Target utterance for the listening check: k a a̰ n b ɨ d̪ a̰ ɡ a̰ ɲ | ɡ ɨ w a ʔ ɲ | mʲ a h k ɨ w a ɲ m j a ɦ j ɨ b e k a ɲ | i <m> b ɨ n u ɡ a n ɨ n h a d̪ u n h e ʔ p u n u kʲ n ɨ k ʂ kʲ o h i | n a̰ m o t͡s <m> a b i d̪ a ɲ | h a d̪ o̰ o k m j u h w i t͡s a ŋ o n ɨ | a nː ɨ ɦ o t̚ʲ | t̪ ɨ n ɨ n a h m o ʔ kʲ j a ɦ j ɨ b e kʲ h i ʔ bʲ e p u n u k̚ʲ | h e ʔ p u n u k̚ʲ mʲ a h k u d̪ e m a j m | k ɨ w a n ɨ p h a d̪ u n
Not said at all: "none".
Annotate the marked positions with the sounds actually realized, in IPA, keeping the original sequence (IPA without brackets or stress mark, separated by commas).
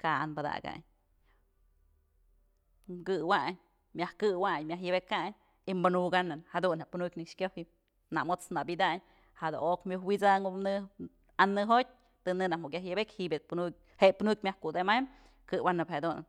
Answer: m, n